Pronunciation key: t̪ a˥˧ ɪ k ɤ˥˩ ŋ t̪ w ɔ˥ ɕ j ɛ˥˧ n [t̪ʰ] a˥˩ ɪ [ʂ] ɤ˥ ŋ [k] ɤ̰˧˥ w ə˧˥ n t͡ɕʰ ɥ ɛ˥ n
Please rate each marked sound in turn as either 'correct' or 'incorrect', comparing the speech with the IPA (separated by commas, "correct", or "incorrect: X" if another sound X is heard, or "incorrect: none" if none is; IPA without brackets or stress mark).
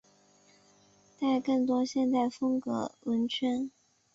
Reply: incorrect: t̪, incorrect: f, correct